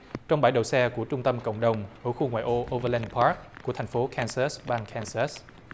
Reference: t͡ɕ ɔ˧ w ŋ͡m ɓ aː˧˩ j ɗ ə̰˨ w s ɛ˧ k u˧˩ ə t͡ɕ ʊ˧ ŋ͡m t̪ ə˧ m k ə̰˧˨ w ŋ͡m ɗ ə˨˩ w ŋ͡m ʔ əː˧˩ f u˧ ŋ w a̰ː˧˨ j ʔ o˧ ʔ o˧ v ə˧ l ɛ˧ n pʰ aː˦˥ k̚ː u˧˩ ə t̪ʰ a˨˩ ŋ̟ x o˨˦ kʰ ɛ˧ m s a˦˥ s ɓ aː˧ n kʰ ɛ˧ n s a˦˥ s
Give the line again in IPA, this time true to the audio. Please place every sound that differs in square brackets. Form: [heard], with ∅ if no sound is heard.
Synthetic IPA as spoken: t͡ɕ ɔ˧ w ŋ͡m ɓ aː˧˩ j ɗ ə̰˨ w s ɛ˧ k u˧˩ ə t͡ɕ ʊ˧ ŋ͡m t̪ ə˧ m k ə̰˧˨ w ŋ͡m ɗ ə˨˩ w ŋ͡m ʔ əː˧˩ [x] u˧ ŋ w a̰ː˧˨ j ʔ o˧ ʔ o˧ v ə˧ l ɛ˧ n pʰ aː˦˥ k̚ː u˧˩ ə t̪ʰ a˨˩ ŋ̟ [f] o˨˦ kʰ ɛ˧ [n] s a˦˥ s ɓ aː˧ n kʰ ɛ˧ n s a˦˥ s